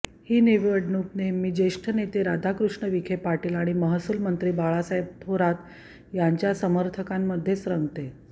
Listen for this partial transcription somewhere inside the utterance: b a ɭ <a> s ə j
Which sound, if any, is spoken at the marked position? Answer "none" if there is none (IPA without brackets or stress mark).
a